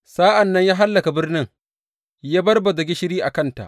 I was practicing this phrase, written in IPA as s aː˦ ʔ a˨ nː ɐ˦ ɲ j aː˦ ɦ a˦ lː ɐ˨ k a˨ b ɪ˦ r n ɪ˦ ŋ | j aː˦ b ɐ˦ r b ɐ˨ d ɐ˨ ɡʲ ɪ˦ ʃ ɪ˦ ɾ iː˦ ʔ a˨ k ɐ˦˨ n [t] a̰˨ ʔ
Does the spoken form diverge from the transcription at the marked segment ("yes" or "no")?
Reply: no